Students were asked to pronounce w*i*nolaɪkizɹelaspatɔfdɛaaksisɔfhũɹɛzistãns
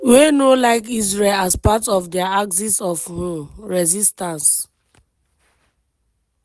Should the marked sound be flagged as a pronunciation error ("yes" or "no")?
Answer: yes